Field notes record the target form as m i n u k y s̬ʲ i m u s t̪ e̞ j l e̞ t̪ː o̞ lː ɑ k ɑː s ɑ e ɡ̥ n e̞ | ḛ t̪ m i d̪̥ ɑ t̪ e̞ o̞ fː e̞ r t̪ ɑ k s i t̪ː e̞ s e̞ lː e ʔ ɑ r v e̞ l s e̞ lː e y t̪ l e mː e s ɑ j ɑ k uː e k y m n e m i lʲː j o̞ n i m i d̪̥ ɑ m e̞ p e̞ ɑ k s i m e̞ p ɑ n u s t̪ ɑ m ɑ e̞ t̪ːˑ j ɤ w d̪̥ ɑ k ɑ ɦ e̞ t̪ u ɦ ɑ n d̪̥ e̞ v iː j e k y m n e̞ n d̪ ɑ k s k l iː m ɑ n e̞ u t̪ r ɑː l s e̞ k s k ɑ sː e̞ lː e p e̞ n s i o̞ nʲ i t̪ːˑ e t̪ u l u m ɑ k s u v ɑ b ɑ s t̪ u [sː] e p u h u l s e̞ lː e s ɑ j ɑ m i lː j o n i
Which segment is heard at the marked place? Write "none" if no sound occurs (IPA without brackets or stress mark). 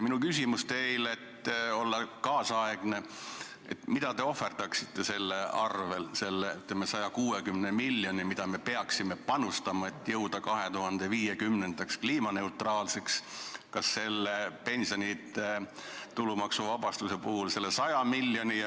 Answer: s